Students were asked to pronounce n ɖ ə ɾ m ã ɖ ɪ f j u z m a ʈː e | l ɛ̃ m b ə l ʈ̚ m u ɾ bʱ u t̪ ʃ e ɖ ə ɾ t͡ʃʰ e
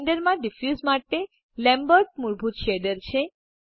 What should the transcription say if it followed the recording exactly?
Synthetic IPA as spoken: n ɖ ə ɾ m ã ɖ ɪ f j u z m a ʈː e | l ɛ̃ m b ə ɾ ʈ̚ m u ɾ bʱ u t̪ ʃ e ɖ ə ɾ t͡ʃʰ e